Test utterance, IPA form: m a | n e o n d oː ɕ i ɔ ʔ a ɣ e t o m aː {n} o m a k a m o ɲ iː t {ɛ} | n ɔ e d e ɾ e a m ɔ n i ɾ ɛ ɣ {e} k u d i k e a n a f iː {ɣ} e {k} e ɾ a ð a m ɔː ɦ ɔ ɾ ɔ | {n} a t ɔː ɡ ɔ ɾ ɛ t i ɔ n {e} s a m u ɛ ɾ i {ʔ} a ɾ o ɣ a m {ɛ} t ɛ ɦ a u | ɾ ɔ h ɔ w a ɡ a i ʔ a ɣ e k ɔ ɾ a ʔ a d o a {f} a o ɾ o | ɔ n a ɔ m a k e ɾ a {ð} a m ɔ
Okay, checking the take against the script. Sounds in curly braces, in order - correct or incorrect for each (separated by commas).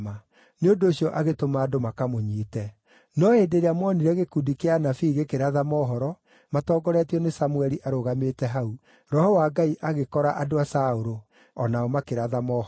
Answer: incorrect, correct, correct, correct, correct, incorrect, correct, correct, incorrect, incorrect, correct